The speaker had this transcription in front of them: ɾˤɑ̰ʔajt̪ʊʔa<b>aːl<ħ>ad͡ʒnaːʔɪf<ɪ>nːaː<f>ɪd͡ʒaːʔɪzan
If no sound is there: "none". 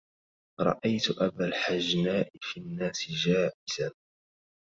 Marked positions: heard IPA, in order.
b, ħ, i, s

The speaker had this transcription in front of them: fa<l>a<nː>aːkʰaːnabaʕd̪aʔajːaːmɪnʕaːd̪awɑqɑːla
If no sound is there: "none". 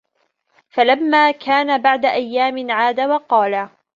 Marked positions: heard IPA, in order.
l, mː

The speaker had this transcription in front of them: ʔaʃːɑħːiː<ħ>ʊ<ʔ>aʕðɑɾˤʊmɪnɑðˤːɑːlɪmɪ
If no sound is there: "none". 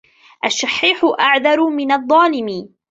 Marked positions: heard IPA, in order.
ħ, ʔ

